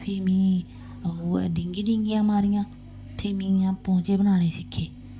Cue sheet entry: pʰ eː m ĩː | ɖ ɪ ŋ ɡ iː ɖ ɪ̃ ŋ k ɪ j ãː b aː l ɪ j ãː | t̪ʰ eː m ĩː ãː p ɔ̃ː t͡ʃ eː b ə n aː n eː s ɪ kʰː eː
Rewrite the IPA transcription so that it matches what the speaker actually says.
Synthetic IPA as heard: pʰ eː m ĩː | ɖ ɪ ŋ ɡ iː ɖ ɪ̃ ŋ ɡ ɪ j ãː m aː ɾ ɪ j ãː | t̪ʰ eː m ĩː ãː p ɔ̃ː t͡ʃ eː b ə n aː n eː s ɪ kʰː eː